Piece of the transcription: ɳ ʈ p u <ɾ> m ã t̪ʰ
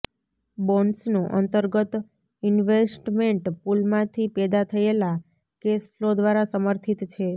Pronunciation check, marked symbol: incorrect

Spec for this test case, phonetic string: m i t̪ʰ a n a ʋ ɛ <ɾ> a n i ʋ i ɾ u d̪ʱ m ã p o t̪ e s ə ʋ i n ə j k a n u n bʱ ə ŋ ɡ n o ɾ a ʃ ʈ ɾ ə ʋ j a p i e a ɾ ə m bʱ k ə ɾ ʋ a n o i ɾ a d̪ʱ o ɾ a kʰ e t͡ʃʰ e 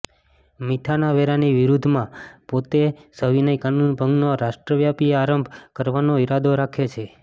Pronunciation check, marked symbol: correct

